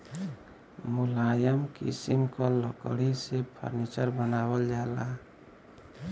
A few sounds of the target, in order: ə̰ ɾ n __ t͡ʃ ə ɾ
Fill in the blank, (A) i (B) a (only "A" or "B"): A